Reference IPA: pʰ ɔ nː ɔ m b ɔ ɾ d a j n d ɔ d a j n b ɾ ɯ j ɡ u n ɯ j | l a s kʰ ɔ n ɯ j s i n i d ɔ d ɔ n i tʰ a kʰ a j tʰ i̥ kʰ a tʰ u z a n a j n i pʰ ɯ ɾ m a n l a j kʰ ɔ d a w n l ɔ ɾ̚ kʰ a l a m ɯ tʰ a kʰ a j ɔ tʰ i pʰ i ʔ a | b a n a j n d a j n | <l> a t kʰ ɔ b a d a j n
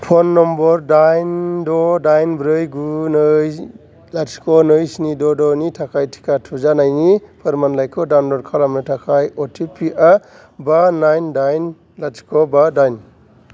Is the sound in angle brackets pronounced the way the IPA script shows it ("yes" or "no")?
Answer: yes